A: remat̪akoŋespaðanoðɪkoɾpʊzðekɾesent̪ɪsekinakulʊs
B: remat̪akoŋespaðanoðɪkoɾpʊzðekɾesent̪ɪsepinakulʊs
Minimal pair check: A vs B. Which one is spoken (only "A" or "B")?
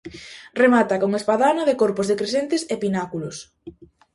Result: B